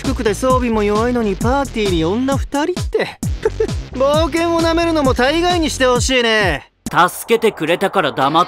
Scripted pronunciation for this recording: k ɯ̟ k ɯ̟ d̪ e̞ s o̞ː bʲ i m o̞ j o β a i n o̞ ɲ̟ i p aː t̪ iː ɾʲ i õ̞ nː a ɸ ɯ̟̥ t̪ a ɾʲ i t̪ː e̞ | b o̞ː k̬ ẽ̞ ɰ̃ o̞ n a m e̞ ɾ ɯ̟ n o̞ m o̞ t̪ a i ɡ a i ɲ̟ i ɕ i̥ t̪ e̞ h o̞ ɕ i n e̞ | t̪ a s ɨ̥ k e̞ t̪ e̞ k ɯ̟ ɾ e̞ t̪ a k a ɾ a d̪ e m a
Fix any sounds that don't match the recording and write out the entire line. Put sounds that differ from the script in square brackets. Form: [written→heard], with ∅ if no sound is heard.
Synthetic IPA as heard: k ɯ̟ k ɯ̟ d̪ e̞ s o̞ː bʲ i m o̞ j o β a i n o̞ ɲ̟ i p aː t̪ iː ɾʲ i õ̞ nː a ɸ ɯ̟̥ t̪ a ɾʲ i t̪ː e̞ | b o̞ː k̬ ẽ̞ ɰ̃ o̞ n a m e̞ ɾ ɯ̟ n o̞ m o̞ t̪ a i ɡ a i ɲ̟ i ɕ i̥ t̪ e̞ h o̞ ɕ [i→iː] n e̞ | t̪ a s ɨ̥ k e̞ t̪ e̞ k ɯ̟ ɾ e̞ t̪ a k a ɾ a d̪ [e→a] m a